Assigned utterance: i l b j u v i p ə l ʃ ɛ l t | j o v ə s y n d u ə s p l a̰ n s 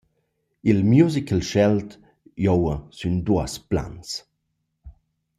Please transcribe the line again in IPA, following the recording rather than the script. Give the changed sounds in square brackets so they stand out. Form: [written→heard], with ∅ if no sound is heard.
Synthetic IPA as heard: i l [b→m] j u [v→z] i [p→k] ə l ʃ ɛ l t | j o [v→w] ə s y n d u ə s p l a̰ n s